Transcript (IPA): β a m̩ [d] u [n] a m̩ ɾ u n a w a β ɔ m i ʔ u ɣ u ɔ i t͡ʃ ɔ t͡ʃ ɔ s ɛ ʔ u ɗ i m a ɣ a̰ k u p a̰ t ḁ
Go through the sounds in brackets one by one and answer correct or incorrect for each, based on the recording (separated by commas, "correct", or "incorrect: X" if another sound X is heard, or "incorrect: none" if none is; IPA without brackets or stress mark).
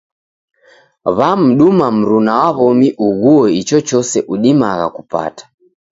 incorrect: ɗ, incorrect: m